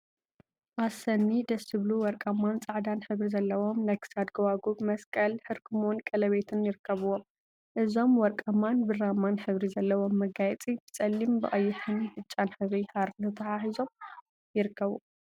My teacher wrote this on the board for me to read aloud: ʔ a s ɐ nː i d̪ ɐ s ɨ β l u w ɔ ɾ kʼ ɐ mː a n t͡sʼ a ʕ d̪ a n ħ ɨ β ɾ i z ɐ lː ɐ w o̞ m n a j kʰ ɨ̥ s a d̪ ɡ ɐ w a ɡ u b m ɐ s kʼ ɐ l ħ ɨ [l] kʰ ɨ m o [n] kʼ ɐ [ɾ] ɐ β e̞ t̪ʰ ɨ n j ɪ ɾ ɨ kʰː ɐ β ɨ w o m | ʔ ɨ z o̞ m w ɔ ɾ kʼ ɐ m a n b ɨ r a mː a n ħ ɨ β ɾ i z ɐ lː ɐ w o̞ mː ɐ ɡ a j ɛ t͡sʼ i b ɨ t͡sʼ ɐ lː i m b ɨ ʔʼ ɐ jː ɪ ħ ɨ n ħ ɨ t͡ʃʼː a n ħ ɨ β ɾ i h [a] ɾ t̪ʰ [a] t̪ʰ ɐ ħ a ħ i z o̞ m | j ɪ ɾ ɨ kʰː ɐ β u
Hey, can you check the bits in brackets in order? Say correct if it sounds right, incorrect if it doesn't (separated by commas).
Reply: incorrect, correct, incorrect, correct, incorrect